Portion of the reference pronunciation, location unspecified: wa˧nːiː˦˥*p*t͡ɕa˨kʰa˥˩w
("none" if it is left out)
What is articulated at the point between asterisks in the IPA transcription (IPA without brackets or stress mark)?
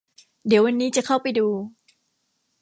none